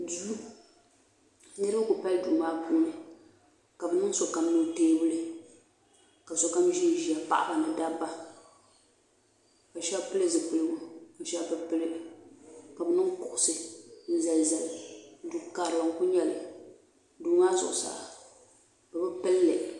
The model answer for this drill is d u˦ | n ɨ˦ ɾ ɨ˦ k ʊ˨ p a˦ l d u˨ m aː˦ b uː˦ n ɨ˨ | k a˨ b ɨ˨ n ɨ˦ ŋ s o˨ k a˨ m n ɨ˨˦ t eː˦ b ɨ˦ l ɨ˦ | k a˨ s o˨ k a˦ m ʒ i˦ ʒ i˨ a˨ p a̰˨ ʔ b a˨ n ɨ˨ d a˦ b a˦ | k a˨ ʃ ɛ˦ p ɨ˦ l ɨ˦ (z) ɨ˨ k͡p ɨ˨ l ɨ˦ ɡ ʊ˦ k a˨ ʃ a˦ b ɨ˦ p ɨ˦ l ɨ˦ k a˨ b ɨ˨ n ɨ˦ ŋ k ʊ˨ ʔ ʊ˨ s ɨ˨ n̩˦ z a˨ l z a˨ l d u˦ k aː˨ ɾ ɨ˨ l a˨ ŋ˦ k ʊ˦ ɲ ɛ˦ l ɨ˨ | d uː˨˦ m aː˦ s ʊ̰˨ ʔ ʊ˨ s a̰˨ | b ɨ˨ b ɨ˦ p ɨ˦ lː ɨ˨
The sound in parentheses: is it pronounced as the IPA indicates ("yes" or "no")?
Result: yes